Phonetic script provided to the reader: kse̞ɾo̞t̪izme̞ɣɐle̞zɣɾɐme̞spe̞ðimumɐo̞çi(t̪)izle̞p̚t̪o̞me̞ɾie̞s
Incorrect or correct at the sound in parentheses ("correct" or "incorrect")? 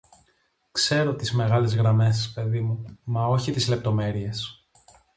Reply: correct